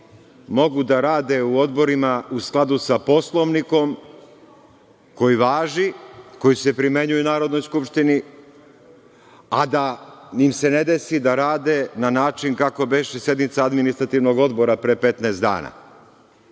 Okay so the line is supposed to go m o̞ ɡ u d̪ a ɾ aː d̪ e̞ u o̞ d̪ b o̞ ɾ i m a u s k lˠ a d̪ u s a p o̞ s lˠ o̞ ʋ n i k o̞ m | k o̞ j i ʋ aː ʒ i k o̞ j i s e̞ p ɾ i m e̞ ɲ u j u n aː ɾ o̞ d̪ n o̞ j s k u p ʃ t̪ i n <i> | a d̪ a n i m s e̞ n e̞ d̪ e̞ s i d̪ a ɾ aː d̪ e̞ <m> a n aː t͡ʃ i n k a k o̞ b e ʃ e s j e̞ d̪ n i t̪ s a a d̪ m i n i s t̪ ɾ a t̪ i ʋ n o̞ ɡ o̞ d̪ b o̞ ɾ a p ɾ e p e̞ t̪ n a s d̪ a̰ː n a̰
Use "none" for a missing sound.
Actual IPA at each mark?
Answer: i, n

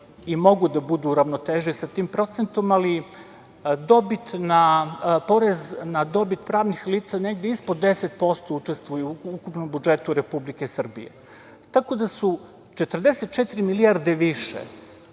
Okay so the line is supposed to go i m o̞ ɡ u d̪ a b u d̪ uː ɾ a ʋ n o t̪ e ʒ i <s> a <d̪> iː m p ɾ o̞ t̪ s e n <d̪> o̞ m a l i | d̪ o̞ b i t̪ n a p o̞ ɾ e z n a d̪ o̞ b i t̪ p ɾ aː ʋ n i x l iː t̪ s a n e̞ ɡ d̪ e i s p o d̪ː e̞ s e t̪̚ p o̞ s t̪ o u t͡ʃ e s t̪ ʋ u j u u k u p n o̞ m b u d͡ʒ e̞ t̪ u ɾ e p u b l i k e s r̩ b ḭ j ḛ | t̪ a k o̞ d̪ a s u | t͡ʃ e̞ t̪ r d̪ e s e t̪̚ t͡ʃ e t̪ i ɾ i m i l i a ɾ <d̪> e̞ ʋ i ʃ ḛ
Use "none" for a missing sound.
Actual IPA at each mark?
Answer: s, t̪, t̪, d̪

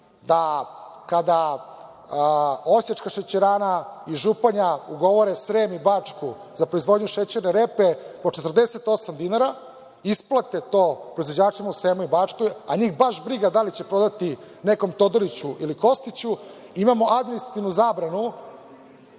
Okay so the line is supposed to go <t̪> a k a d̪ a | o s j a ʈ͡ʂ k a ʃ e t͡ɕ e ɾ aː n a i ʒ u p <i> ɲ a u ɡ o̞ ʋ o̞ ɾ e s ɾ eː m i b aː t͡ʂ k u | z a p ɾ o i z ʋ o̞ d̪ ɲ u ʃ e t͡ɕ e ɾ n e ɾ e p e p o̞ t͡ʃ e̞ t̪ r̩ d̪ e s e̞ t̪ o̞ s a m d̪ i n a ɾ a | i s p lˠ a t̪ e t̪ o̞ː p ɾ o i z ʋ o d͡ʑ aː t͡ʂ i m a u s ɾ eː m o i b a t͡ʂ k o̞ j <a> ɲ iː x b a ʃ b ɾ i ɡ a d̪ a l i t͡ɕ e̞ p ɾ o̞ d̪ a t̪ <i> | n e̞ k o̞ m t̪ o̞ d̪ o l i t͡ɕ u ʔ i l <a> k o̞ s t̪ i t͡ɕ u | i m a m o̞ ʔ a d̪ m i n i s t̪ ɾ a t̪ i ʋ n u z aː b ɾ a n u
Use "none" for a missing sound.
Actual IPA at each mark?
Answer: d̪, a, a, i, i

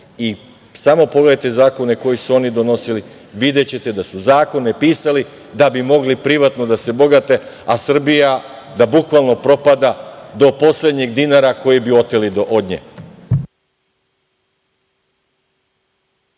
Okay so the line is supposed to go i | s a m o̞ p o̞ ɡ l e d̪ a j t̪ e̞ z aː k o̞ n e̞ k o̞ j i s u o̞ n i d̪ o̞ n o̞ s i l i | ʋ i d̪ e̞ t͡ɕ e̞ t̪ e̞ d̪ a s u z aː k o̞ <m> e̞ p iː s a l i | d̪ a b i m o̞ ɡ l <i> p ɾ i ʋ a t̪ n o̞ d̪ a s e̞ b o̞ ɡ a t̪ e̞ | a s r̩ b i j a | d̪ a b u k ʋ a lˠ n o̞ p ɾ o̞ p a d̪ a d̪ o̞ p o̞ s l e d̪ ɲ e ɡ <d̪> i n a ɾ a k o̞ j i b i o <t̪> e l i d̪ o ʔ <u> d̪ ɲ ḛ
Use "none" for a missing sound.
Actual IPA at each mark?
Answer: n, i, d̪, t̪, o

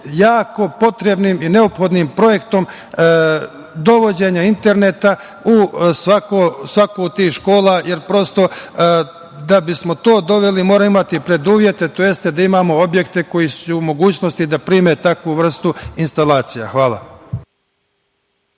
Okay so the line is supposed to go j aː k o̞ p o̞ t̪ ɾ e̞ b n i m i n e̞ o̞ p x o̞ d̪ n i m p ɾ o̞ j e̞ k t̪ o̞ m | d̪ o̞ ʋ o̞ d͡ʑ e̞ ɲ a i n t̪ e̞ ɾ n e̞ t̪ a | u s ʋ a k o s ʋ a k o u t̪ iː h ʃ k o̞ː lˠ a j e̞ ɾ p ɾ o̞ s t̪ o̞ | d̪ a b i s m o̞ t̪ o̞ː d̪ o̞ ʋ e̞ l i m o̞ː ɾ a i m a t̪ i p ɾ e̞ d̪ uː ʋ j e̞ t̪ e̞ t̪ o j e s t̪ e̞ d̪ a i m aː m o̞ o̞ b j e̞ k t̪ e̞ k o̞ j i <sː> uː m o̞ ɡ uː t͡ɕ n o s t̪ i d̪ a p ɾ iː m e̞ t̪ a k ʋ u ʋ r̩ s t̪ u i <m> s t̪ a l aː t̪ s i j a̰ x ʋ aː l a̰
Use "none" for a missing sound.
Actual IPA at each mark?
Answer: s, n

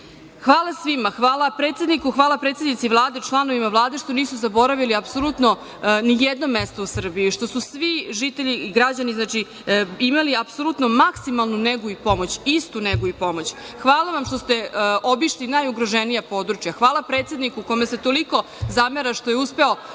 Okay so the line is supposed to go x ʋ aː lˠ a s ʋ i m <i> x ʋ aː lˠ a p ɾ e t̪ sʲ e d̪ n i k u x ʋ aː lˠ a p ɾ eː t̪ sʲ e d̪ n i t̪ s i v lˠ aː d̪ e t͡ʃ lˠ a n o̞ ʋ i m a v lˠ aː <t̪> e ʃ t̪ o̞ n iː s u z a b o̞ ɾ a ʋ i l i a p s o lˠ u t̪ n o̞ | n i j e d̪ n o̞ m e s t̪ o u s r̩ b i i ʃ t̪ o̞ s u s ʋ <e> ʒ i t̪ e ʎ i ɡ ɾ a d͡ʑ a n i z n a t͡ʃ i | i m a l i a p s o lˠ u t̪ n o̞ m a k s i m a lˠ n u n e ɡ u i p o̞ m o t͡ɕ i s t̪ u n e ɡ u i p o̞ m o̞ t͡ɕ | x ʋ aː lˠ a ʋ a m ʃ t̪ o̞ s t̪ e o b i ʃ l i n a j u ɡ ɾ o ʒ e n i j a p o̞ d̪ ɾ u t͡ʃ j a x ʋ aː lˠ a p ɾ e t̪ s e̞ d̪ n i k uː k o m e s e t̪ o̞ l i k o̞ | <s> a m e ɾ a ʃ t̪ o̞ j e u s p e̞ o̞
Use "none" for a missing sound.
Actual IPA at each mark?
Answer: a, d̪, i, z

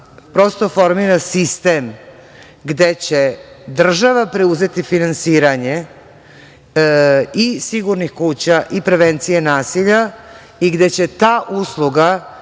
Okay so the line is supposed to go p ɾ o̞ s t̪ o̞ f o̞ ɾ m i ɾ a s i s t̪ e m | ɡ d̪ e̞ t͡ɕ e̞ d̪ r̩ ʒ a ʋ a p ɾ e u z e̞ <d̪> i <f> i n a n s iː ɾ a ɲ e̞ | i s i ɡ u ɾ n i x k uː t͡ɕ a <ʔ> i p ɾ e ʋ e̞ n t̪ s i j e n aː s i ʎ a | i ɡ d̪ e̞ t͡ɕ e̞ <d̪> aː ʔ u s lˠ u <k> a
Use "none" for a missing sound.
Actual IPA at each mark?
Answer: t̪, f, ʔ, t̪, ɡ

